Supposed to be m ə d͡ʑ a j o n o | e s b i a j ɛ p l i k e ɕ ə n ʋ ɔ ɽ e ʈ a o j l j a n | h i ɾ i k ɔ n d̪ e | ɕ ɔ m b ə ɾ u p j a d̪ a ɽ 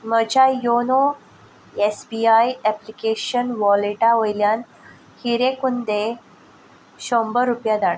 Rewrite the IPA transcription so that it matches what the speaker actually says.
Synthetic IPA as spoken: m ə d͡ʑ a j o n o | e s b i a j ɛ p l i k e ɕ ə n ʋ ɔ l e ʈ a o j l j a n | h i ɾ e k u n d̪ e | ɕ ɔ m b ə ɾ u p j a d̪ a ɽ